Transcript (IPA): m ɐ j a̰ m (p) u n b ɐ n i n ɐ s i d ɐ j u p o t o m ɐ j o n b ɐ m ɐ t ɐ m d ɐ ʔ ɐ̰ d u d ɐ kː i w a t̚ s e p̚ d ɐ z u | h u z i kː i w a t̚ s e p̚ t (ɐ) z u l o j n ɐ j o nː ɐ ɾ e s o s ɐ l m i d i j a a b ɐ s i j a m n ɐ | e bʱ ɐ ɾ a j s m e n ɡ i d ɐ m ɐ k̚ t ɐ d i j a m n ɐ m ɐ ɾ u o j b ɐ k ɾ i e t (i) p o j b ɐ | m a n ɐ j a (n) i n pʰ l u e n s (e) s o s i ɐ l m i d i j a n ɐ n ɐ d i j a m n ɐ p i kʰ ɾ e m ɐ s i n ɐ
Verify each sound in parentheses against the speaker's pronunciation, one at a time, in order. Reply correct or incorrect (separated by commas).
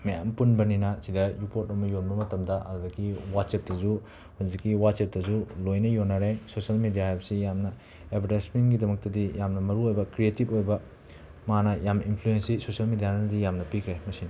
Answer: correct, correct, correct, incorrect, incorrect